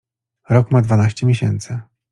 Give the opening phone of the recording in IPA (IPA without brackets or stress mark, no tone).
ɾ